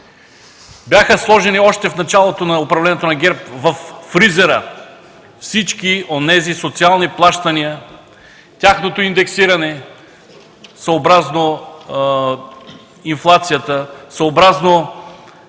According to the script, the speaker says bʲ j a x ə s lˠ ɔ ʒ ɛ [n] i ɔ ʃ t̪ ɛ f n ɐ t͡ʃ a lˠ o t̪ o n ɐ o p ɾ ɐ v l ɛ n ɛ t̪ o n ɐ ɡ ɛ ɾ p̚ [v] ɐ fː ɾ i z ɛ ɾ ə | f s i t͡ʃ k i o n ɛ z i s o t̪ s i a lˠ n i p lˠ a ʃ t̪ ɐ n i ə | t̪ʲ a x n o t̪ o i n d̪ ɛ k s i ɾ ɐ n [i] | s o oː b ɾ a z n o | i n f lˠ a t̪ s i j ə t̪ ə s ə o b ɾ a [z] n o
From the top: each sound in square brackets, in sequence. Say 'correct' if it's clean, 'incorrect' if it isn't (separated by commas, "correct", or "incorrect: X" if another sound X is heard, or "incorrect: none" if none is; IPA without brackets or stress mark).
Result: correct, correct, incorrect: ɛ, correct